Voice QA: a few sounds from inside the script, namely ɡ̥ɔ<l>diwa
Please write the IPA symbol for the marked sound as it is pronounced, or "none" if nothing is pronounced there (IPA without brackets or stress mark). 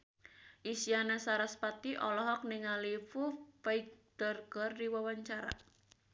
r